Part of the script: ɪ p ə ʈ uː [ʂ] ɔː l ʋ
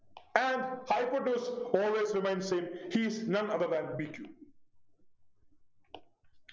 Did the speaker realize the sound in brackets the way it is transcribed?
no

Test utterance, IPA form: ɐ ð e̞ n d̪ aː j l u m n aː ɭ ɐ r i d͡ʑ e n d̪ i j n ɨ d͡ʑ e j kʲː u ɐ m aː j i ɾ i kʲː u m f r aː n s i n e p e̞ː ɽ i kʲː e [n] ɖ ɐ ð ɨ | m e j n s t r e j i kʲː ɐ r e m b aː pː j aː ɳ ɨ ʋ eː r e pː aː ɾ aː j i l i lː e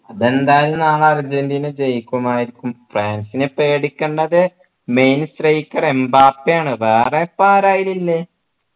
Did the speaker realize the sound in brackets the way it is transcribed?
no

